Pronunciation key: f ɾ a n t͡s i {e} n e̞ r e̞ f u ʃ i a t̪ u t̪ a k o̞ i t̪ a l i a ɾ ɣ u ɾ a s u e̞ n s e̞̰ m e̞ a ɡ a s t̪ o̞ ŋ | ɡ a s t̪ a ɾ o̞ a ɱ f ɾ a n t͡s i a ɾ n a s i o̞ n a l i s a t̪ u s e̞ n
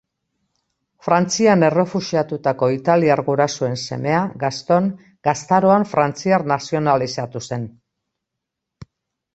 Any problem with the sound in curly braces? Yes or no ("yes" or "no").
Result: yes